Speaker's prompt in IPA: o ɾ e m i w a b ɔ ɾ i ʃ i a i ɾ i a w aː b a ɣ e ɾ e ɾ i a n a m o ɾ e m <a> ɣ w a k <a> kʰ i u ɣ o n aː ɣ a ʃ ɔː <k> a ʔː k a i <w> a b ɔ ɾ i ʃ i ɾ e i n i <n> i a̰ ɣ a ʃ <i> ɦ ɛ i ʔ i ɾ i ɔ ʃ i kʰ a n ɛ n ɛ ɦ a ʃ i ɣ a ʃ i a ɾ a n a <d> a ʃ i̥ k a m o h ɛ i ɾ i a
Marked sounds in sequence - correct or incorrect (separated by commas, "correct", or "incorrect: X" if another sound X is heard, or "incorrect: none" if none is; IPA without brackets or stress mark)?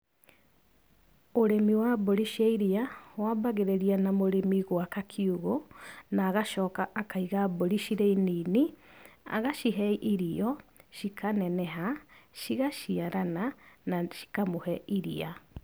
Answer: incorrect: i, correct, correct, incorrect: ɣ, correct, correct, incorrect: n